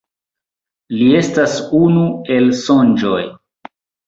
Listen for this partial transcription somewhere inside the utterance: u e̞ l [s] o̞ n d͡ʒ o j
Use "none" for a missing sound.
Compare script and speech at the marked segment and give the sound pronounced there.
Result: s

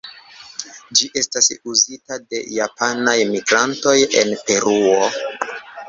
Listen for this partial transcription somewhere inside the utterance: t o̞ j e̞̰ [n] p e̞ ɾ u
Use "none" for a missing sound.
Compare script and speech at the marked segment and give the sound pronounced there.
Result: n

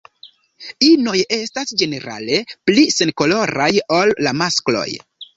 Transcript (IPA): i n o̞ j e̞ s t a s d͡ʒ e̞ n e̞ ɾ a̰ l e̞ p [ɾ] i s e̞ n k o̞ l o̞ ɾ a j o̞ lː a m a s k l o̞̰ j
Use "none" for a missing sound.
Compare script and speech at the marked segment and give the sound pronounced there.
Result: l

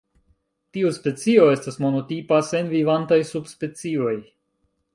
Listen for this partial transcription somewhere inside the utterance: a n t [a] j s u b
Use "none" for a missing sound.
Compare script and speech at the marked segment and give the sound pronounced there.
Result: a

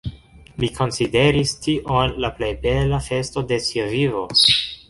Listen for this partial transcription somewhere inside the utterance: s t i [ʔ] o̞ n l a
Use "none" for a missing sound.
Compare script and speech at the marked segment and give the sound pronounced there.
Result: ʔ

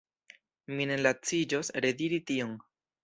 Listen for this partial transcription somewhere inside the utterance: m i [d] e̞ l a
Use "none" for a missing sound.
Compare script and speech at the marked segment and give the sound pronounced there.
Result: n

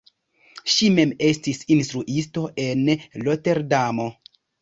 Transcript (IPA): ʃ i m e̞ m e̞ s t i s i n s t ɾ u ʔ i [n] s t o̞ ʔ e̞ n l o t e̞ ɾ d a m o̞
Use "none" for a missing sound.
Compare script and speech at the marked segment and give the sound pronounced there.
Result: none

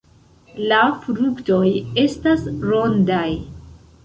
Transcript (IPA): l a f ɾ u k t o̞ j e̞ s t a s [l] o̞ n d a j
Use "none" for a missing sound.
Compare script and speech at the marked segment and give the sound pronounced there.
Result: ɾ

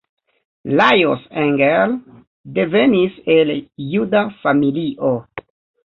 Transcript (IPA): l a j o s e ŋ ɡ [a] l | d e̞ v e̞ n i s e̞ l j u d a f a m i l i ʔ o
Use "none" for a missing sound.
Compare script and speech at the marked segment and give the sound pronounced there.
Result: e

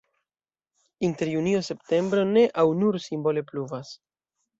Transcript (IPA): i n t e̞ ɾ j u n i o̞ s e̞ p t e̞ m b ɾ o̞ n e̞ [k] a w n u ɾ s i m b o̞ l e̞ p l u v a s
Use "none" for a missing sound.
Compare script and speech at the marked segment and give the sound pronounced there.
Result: ʔ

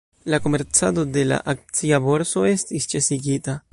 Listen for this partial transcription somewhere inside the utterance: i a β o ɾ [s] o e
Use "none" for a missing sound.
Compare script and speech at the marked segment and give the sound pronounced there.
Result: s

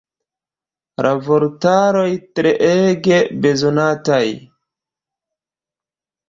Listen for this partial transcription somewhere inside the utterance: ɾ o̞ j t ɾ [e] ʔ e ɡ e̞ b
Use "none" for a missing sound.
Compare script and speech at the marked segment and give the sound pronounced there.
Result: e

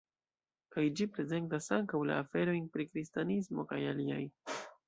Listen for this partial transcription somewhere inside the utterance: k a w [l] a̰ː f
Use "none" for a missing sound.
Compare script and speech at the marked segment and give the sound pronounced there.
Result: l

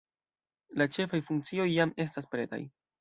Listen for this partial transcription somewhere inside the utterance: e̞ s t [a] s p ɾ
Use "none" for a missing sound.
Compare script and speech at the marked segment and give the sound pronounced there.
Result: a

